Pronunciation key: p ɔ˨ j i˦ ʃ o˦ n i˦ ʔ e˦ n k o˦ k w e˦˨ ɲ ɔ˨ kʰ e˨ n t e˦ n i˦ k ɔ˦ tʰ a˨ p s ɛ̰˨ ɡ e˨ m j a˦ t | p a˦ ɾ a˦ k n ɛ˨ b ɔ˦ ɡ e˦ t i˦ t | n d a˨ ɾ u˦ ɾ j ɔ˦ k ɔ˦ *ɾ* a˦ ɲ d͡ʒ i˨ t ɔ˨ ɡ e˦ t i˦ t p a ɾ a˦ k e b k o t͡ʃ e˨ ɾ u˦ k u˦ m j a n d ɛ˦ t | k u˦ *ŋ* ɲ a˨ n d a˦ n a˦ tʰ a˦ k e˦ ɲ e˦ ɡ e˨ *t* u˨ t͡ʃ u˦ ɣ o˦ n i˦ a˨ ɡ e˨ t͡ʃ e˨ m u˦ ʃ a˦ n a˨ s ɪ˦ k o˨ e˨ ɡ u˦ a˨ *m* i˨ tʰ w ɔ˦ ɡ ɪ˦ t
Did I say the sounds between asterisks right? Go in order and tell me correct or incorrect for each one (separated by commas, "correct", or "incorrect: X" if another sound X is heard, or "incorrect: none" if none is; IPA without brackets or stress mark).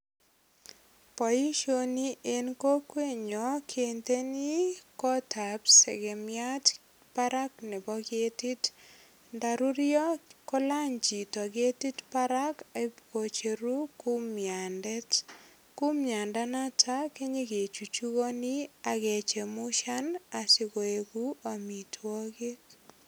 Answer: incorrect: l, incorrect: m, incorrect: t͡ʃ, correct